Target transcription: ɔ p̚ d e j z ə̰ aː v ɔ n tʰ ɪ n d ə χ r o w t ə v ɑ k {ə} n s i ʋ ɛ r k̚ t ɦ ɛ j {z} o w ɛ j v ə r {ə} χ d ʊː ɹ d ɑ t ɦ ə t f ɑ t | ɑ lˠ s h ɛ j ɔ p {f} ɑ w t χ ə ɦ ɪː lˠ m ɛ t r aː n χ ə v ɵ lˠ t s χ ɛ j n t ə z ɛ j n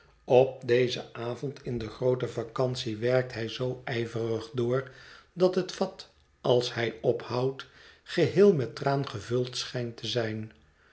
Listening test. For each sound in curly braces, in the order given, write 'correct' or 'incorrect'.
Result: incorrect: ɑ, correct, correct, incorrect: h

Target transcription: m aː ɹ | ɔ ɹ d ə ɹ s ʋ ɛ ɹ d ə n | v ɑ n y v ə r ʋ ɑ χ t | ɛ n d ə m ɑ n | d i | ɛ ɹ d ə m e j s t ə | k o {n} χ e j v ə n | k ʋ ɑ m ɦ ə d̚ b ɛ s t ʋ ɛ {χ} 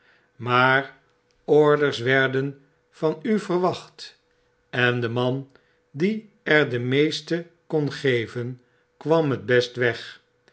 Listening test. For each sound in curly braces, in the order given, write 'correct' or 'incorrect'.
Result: correct, correct

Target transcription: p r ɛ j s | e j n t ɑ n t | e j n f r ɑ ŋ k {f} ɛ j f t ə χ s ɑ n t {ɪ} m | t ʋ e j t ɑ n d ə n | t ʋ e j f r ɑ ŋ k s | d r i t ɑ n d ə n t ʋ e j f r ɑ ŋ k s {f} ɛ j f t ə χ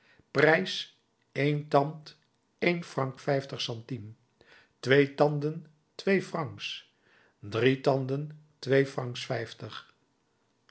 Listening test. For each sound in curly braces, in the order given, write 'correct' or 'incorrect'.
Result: correct, incorrect: i, correct

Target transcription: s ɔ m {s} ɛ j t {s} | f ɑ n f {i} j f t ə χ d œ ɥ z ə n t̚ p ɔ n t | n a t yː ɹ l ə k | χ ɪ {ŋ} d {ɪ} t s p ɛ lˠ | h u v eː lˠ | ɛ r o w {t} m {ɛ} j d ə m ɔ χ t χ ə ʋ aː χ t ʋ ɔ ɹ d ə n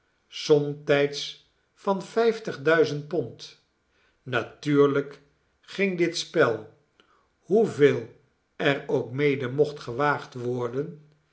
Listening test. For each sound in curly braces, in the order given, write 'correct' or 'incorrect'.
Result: incorrect: t, correct, incorrect: ɛ, correct, correct, incorrect: k, incorrect: e

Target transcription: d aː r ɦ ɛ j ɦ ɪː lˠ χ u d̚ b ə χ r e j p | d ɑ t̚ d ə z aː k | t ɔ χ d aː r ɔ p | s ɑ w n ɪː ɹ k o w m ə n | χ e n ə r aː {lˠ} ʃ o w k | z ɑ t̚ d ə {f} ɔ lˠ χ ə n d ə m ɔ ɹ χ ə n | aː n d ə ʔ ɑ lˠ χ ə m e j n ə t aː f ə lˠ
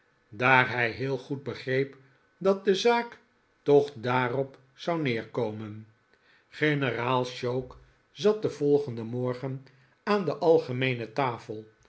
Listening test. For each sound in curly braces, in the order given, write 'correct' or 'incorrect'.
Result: correct, incorrect: v

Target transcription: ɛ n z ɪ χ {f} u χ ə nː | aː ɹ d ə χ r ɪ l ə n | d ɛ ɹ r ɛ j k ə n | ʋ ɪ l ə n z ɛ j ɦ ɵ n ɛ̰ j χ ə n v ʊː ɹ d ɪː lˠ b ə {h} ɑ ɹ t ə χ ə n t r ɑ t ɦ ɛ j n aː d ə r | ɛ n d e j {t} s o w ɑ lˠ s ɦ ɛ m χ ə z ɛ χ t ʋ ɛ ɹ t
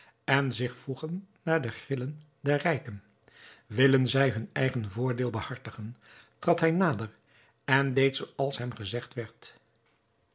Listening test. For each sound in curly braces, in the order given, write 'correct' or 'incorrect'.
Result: correct, correct, correct

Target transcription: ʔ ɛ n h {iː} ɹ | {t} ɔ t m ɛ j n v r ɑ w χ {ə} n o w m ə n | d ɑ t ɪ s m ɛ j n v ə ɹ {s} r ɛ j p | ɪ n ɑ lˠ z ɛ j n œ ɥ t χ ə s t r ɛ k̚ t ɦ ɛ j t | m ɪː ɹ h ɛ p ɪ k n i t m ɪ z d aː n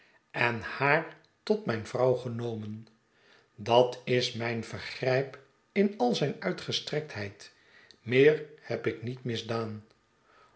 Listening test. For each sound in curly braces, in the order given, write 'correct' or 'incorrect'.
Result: incorrect: aː, correct, correct, incorrect: χ

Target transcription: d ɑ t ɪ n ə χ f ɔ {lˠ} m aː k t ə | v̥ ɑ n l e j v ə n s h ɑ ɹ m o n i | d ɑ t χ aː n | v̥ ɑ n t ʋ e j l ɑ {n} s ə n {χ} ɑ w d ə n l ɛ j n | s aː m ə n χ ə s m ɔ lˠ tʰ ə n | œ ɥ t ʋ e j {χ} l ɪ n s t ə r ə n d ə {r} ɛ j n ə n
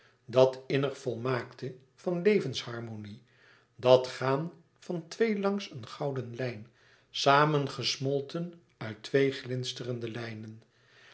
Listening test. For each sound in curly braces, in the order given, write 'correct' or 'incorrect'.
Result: correct, incorrect: ŋ, correct, correct, incorrect: l

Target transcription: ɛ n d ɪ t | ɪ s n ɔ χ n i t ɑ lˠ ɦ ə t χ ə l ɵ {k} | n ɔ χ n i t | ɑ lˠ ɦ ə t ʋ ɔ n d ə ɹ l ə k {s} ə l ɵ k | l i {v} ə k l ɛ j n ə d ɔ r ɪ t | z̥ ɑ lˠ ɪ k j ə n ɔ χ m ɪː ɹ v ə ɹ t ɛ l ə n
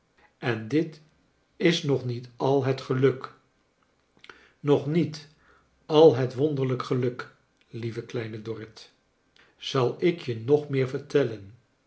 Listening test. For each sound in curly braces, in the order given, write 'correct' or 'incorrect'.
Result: correct, incorrect: χ, correct

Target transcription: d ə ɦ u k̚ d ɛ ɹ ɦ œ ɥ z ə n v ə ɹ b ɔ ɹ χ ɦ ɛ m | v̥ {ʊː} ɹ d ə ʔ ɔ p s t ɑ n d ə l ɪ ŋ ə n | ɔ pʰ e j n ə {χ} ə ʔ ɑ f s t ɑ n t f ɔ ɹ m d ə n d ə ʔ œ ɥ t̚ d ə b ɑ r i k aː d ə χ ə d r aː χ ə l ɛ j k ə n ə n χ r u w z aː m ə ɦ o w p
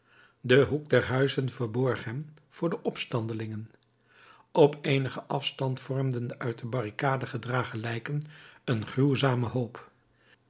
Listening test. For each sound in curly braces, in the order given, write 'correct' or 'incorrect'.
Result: correct, correct

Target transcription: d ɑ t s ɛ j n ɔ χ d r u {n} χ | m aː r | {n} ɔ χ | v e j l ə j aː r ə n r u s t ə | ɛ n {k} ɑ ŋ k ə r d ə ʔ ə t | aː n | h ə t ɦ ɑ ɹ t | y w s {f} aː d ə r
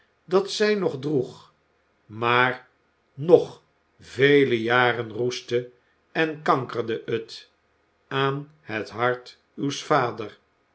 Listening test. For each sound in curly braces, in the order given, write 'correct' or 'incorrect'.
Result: incorrect: none, correct, correct, correct

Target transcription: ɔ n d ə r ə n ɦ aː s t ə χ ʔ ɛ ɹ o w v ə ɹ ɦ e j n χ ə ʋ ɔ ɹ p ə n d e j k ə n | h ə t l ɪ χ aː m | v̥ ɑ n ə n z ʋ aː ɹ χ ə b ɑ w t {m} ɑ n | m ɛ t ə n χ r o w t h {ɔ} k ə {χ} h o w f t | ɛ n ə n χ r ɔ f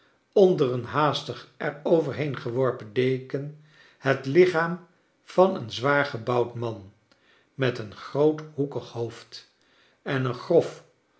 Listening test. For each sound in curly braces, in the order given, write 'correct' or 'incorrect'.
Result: correct, incorrect: u, correct

